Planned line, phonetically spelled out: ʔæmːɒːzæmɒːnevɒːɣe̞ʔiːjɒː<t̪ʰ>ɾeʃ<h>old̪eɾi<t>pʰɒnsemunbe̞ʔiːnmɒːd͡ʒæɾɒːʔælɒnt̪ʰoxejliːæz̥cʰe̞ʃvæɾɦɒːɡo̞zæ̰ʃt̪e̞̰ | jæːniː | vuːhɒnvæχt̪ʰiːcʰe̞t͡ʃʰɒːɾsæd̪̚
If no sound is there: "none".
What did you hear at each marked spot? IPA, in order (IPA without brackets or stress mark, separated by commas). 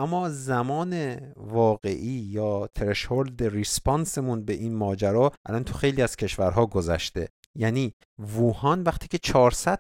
t̪ʰ, h, s